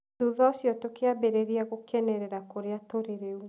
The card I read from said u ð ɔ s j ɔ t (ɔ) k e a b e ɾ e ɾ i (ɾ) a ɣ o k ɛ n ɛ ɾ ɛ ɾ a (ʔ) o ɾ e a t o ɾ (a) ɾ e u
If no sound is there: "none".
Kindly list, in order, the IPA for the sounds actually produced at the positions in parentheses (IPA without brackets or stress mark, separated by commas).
o, none, k, e